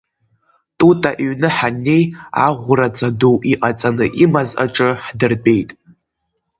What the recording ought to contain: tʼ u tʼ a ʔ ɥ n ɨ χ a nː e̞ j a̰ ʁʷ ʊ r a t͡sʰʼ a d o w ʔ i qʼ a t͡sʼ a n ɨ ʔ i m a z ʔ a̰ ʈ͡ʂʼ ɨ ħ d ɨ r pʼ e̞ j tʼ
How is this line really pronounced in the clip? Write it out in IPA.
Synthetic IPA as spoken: tʼ u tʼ a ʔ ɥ n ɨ ħ a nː e̞ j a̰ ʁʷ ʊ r a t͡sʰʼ a d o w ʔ i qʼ a t͡sʼ a n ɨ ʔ i m a z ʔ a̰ ʈ͡ʂʼ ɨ ħ d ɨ r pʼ e̞ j tʼ